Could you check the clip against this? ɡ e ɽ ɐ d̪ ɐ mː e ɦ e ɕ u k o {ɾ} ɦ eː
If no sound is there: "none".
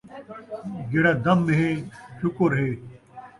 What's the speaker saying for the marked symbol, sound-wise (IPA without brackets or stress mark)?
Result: ɾ